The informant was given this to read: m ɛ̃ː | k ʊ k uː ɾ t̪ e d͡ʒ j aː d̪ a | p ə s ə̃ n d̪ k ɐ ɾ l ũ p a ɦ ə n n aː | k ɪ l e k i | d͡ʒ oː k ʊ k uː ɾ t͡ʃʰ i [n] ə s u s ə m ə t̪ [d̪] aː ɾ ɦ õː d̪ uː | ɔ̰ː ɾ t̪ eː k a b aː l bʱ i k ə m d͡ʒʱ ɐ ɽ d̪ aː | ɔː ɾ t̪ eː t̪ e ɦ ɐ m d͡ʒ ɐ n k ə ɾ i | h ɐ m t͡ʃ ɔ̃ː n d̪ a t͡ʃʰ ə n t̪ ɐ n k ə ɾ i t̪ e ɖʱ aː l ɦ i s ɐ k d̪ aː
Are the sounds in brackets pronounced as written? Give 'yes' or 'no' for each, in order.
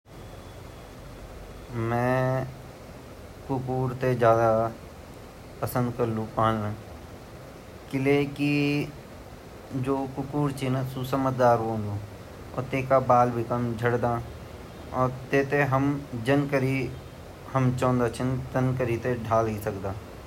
yes, yes

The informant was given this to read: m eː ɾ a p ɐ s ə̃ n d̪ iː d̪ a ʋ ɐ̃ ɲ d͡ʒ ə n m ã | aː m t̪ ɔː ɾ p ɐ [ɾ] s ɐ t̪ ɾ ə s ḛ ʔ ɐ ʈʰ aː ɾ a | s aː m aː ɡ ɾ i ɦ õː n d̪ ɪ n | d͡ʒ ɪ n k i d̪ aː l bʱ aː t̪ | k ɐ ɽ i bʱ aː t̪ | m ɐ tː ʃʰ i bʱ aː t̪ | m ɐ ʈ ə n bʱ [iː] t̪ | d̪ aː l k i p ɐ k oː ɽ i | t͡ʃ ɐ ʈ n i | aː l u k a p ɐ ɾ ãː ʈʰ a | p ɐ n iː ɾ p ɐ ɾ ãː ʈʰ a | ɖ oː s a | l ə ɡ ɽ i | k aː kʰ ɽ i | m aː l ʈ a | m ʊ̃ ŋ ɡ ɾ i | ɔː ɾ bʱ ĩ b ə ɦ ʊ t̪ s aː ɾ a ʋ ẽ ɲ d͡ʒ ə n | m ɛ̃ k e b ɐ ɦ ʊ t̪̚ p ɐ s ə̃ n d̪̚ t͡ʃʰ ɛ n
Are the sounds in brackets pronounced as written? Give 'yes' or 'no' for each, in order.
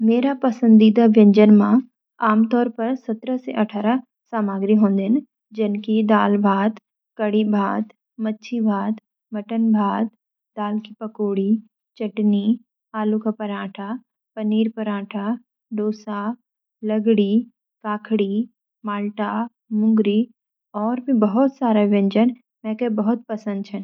yes, no

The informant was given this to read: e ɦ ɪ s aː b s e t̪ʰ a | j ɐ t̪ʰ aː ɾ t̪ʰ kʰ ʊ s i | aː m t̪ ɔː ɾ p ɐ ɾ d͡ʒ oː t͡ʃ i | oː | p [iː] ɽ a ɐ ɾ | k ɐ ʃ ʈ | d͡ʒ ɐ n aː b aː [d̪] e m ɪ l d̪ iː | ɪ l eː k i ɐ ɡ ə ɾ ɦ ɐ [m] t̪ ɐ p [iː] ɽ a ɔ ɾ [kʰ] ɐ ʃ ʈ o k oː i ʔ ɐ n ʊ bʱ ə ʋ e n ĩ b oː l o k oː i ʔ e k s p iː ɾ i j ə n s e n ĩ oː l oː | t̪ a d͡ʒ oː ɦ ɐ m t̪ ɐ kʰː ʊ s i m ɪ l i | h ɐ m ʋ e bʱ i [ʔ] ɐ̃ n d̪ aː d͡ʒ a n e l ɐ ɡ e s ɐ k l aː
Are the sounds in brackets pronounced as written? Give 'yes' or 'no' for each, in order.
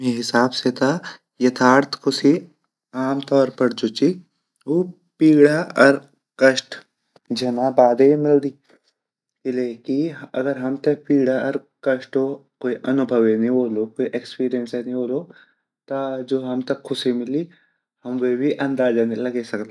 yes, yes, yes, yes, no, yes

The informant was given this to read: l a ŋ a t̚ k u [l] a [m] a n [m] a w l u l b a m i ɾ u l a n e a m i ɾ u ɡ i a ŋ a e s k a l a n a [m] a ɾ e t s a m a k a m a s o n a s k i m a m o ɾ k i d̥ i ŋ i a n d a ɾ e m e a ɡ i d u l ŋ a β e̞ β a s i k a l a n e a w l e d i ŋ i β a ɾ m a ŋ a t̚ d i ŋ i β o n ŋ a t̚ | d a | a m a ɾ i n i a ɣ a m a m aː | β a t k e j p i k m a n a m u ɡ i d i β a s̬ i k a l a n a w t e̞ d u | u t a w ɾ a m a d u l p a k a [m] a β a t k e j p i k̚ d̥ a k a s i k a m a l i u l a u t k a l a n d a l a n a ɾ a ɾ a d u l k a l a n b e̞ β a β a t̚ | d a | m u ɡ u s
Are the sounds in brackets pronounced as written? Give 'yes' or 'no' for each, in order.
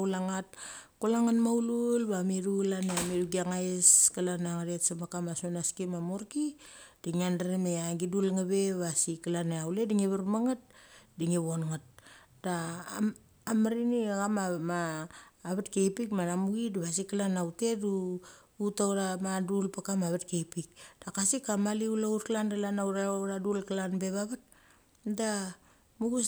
yes, no, yes, no, yes

